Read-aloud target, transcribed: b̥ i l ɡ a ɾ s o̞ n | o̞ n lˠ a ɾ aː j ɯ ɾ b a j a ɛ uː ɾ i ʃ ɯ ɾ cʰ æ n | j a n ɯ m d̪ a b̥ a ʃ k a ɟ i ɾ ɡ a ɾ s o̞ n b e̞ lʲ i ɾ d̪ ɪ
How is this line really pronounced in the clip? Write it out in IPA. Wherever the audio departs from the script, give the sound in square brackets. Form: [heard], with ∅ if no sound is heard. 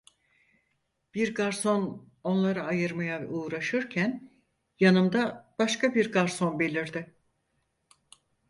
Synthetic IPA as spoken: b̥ i [ɾ] ɡ a ɾ s o̞ n | o̞ n lˠ a ɾ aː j ɯ ɾ [m] a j a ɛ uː ɾ [a] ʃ ɯ ɾ cʰ æ n | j a n ɯ m d̪ a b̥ a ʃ k a [b] i ɾ ɡ a ɾ s o̞ n b e̞ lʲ i ɾ d̪ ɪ